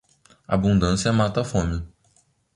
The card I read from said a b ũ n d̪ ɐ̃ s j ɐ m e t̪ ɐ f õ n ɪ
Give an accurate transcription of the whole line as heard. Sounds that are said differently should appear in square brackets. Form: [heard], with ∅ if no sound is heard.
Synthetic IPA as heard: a b ũ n d̪ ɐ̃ s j ɐ m [a] t̪ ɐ f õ [m] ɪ